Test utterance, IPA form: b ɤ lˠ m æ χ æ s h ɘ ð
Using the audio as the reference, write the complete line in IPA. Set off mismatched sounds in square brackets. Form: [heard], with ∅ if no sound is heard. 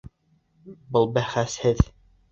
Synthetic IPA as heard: b ɤ lˠ [b] æ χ æ s h ɘ ð